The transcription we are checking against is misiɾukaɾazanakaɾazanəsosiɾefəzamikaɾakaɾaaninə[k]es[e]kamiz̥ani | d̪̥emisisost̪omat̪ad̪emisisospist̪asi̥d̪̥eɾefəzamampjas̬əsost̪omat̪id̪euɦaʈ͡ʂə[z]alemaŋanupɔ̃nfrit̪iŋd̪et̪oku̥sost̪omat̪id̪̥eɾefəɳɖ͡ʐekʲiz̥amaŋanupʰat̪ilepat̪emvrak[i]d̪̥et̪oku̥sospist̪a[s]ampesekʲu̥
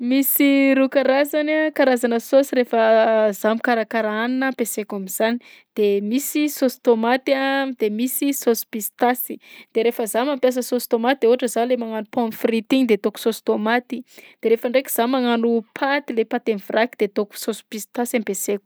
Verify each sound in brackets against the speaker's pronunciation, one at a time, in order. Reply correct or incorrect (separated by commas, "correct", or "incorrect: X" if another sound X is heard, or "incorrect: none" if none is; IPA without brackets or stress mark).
incorrect: p, correct, correct, correct, correct